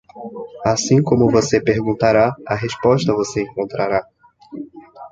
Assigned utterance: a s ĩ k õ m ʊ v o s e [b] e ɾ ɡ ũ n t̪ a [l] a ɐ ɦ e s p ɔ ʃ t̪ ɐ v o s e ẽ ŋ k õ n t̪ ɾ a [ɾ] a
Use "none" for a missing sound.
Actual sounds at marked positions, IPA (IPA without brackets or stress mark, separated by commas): p, ɾ, ɾ